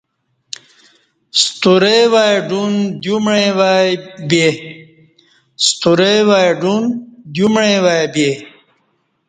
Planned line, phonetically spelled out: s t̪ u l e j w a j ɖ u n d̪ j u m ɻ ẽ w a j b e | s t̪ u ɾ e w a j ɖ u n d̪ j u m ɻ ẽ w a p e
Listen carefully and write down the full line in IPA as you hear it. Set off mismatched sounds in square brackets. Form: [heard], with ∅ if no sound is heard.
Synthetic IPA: s t̪ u [ɾ] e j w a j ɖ u n d̪ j u m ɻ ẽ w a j b e | s t̪ u ɾ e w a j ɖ u n d̪ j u m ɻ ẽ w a [b] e